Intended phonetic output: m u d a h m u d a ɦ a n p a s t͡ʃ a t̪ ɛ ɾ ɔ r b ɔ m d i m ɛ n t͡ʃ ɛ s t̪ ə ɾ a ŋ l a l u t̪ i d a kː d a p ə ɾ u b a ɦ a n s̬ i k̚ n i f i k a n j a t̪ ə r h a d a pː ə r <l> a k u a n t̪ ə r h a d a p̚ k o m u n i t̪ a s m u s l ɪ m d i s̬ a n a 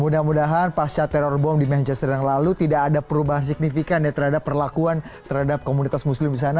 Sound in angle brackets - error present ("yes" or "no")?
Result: no